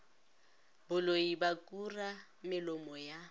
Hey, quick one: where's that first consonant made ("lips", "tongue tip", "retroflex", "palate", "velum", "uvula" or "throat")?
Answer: lips